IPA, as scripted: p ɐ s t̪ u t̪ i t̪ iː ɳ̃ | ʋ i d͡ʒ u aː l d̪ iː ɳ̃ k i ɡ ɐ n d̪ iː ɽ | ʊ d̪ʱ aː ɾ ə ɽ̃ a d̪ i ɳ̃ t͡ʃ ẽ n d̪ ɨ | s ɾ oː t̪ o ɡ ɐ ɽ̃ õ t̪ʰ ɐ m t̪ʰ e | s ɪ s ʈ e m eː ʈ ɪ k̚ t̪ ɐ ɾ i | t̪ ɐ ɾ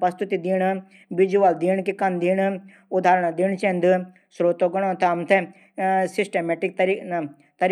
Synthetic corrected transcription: p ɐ s t̪ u t̪ i d̪ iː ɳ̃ | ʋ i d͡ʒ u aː l d̪ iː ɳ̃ k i k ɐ n d̪ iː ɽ | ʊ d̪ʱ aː ɾ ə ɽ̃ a d̪ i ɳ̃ t͡ʃ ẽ n d̪ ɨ | s ɾ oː t̪ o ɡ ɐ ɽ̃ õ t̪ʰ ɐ m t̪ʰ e | s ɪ s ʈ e m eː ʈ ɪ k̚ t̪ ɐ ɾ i | t̪ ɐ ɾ